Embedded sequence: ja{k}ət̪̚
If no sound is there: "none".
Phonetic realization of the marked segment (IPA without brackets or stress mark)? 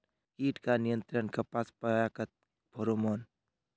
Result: k